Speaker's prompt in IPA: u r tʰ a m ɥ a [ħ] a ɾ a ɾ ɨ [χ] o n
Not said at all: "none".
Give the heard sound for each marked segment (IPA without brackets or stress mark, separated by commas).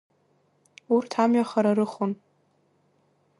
χ, χ